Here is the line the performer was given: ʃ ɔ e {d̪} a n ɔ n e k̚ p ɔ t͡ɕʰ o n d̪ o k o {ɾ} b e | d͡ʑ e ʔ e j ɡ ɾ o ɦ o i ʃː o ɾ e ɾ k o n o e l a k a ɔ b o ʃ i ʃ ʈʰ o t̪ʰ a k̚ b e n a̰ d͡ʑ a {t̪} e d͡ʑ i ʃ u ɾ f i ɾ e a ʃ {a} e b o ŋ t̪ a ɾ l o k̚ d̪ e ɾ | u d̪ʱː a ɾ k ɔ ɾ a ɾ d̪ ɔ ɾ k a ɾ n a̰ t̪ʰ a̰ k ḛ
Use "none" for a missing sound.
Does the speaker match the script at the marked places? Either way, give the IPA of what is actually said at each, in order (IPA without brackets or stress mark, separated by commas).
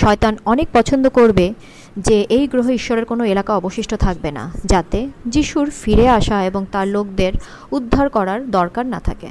t̪, ɾ, t̪, a